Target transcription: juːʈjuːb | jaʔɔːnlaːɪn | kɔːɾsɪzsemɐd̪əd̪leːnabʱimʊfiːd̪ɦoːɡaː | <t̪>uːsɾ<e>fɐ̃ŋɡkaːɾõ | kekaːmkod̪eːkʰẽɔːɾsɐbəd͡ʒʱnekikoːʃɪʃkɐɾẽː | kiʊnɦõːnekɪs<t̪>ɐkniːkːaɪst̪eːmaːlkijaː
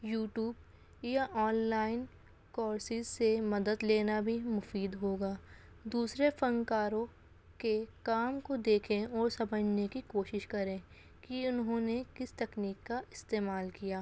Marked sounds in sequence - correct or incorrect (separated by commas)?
incorrect, correct, correct